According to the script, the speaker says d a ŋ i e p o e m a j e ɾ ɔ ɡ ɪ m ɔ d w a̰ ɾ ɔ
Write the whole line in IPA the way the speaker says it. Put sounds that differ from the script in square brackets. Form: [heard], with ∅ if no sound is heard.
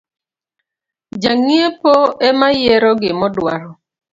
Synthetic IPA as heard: [d͡ʒ] a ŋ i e p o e m a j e ɾ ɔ ɡ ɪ m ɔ d w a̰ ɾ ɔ